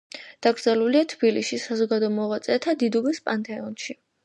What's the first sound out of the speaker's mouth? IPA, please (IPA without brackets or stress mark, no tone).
d̪̥